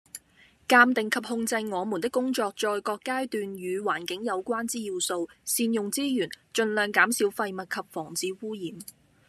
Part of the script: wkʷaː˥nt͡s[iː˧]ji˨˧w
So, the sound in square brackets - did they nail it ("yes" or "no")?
no